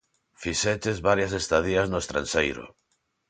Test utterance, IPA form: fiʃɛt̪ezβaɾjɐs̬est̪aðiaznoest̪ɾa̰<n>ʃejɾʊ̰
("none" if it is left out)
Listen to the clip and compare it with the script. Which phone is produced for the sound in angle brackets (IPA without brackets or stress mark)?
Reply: n